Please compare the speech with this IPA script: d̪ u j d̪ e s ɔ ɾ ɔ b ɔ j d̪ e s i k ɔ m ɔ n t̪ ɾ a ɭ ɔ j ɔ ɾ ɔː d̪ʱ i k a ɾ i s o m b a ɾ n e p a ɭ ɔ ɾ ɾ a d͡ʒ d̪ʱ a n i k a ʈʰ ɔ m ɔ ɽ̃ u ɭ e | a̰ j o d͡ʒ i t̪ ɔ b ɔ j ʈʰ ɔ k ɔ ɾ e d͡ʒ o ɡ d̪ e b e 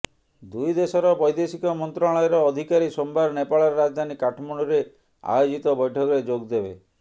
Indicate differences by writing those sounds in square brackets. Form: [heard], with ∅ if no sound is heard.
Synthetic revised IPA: d̪ u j d̪ e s ɔ ɾ ɔ b ɔ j d̪ e s i k ɔ m ɔ n t̪ ɾ a ɭ ɔ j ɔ ɾ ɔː d̪ʱ i k a ɾ i s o m b a ɾ n e p a ɭ ɔ ɾ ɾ a d͡ʒ d̪ʱ a n i k a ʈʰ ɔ m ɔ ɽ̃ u [ɾ] e | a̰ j o d͡ʒ i t̪ ɔ b ɔ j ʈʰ ɔ k ɔ ɾ e d͡ʒ o ɡ d̪ e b e